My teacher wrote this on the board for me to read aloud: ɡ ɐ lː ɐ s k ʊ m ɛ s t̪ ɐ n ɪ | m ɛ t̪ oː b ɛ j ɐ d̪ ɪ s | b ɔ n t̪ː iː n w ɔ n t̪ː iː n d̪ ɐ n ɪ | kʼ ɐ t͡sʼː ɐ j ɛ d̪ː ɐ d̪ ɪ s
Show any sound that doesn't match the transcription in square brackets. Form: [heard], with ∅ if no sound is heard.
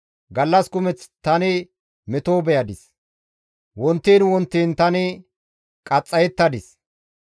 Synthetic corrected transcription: ɡ ɐ lː ɐ s k ʊ m ɛ [t͡s] t̪ ɐ n ɪ | m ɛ t̪ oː b ɛ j ɐ d̪ ɪ s | [w] ɔ n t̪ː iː n w ɔ n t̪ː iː n [t̪] ɐ n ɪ | kʼ ɐ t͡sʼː ɐ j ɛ [t̪ː] ɐ d̪ ɪ s